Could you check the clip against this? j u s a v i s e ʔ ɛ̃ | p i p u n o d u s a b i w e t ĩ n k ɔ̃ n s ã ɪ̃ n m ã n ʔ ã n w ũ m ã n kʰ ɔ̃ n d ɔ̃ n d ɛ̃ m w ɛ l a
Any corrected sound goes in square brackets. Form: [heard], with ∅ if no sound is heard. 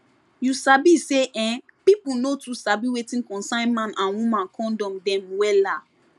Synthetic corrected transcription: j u s a [b] i s e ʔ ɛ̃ | p i p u n o [t] u s a b i w e t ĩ n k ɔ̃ n s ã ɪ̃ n m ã n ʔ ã n w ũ m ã n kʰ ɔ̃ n d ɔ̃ [m] d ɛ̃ m w ɛ l a